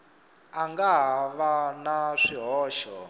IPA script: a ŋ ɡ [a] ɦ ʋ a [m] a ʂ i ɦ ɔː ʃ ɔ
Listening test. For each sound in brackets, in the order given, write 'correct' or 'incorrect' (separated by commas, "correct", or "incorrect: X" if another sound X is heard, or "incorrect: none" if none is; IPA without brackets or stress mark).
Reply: correct, incorrect: n